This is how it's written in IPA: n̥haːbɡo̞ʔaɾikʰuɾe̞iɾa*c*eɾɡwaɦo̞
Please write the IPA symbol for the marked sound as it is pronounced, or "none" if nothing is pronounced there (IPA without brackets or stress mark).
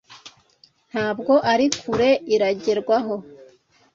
ɟ